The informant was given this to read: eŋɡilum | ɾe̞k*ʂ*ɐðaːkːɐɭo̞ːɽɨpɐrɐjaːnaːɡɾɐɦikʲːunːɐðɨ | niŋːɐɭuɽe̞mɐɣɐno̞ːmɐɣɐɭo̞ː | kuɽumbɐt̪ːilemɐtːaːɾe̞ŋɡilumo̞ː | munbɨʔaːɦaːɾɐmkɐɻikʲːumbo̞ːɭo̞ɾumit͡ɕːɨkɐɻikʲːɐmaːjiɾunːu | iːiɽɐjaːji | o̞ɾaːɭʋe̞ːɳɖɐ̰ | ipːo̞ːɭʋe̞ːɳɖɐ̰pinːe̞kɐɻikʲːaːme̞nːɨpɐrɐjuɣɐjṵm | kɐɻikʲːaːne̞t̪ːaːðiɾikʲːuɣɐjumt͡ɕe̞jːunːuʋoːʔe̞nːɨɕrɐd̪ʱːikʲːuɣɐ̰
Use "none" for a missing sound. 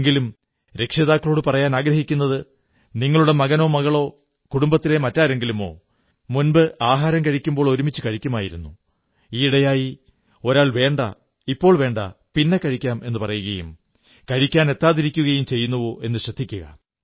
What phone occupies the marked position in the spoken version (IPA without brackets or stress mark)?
ʂ